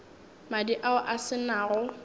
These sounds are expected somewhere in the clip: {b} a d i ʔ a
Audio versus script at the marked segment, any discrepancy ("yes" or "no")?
yes